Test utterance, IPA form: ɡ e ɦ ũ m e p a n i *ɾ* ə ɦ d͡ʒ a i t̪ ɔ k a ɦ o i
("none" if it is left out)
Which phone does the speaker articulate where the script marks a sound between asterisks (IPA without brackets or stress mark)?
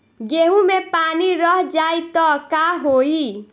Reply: ɾ